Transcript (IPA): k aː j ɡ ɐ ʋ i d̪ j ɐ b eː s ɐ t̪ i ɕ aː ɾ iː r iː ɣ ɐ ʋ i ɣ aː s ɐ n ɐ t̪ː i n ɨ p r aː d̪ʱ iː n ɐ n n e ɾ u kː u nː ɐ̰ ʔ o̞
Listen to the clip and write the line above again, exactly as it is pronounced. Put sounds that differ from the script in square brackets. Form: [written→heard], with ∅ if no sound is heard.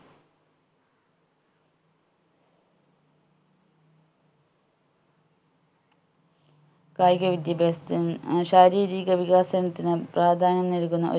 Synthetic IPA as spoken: k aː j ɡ ɐ ʋ i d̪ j ɐ b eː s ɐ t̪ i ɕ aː ɾ iː [r→ɾ] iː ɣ ɐ ʋ i ɣ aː s ɐ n ɐ t̪ː i n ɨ p r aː d̪ʱ [iː→aː] n ɐ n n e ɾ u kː u nː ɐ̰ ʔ o̞